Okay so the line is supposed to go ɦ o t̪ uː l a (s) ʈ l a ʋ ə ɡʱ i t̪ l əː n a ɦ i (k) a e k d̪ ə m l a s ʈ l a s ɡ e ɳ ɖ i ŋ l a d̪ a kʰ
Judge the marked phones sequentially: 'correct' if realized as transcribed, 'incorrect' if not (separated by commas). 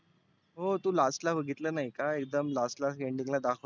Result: correct, correct